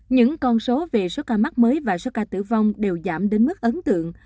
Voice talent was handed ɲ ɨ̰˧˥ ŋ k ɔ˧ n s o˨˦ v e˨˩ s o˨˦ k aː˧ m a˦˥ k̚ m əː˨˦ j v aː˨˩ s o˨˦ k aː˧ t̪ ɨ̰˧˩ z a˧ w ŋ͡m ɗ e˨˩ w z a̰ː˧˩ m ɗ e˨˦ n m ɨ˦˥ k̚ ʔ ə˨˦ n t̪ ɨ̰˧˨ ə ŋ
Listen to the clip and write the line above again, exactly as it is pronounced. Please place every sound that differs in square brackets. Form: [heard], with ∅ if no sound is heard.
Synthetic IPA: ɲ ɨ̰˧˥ ŋ k ɔ˧ n s o˨˦ v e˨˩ s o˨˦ k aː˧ m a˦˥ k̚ m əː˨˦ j v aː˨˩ s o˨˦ k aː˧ t̪ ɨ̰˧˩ [v] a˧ w ŋ͡m ɗ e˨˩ w z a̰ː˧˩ m ɗ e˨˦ n m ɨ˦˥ k̚ ʔ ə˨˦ n t̪ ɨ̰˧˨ ə ŋ